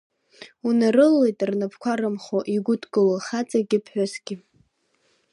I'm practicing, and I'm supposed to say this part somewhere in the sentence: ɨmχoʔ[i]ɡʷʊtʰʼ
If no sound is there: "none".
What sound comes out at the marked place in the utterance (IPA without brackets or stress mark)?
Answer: i